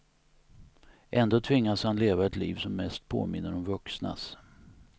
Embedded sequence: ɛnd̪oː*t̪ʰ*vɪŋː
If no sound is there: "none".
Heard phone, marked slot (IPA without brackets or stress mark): t̪ʰ